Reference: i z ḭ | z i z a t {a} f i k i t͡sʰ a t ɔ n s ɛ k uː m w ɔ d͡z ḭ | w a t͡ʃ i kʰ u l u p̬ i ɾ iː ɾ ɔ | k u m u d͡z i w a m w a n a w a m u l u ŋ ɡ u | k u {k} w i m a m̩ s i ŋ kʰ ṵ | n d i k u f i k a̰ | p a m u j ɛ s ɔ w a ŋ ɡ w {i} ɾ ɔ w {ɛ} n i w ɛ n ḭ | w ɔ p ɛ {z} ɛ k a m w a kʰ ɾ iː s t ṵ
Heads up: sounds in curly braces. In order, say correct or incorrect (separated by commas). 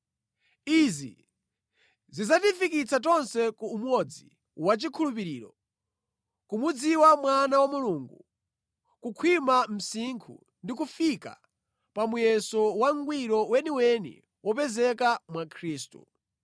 incorrect, incorrect, correct, correct, correct